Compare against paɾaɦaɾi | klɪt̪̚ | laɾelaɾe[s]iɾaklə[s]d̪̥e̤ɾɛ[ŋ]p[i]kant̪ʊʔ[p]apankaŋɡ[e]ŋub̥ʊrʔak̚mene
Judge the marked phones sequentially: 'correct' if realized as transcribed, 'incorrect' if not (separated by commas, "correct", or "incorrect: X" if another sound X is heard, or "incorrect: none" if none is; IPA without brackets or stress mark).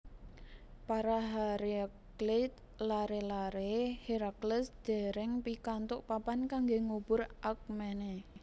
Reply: incorrect: h, correct, correct, correct, correct, correct